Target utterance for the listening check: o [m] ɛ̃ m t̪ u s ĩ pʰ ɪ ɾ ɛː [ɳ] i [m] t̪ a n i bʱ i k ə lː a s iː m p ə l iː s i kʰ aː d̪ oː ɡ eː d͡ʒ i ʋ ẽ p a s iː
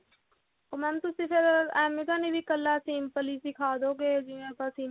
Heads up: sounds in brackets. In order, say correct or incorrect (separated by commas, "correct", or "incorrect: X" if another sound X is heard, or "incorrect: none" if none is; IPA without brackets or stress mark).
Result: correct, incorrect: m, incorrect: none